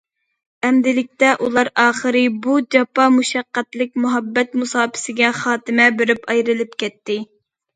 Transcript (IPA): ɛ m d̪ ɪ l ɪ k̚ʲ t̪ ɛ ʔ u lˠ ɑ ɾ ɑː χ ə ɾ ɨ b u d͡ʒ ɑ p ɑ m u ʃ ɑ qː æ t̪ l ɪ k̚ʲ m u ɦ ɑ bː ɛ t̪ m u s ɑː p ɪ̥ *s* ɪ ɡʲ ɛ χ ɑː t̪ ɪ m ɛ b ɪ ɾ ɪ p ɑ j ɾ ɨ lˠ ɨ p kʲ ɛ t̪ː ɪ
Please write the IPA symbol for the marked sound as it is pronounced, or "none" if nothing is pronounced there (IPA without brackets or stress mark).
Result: s